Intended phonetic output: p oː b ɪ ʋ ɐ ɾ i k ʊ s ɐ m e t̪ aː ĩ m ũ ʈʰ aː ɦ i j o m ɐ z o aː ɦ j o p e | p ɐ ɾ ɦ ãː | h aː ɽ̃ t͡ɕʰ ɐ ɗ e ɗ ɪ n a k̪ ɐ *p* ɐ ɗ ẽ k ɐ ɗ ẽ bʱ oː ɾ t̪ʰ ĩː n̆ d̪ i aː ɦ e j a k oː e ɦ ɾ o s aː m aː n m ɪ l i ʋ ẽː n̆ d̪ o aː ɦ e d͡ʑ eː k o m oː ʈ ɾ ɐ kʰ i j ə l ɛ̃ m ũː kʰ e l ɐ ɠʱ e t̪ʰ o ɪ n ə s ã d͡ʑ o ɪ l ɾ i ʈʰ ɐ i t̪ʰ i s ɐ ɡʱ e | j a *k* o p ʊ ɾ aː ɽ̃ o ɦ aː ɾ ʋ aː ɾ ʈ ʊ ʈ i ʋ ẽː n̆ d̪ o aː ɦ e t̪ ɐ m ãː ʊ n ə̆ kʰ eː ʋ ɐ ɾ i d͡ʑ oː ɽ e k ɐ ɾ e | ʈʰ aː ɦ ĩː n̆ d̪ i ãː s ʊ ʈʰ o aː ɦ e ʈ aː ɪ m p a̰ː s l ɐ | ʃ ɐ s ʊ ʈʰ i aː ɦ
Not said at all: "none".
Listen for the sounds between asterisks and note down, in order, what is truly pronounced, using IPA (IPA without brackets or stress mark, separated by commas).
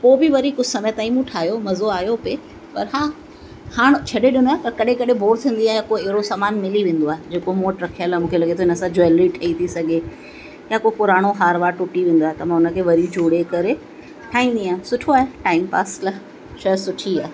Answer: k, k